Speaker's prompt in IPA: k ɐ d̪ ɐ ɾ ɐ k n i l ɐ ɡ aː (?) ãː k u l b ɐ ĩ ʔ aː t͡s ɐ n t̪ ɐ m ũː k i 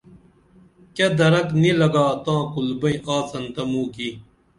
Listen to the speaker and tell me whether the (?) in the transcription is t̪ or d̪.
t̪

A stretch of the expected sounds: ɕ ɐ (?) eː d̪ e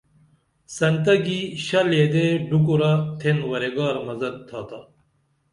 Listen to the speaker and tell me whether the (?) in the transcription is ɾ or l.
l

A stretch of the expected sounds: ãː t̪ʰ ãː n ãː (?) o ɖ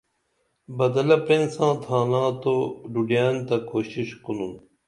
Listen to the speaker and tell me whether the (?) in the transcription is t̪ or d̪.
t̪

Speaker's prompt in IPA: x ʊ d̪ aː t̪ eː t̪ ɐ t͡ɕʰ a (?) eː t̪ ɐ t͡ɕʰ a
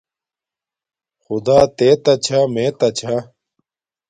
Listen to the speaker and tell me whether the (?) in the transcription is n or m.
m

